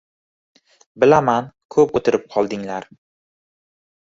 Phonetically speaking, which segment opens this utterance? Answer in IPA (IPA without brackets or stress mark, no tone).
b